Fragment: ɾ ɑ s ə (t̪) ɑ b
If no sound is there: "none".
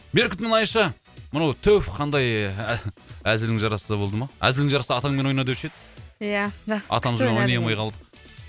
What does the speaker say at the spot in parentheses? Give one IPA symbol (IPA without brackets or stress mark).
d̪